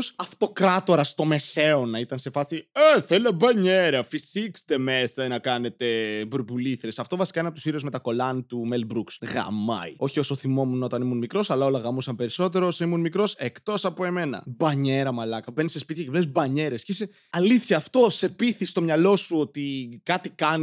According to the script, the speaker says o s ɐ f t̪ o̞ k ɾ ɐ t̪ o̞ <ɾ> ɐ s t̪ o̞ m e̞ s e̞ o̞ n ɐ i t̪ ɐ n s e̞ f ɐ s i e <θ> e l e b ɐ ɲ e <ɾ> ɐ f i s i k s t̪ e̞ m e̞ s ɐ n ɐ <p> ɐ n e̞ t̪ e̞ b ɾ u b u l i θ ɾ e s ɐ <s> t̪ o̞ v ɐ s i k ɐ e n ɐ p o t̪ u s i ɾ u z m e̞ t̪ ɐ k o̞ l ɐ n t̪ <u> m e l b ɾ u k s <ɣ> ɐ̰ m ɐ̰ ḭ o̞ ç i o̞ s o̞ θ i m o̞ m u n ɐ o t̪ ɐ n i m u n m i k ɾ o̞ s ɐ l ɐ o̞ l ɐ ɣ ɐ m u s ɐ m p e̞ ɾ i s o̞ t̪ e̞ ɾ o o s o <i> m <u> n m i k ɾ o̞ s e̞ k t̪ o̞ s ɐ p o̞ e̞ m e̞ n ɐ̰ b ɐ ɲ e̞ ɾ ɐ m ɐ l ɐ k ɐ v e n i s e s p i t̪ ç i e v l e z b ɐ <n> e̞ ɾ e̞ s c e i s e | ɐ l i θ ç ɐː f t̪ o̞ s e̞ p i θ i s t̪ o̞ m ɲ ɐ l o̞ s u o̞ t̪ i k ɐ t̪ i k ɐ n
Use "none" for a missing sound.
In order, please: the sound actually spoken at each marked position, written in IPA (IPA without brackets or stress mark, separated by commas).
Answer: ɾ, θ, ɾ, k, f, u, ɣ, i, u, ɲ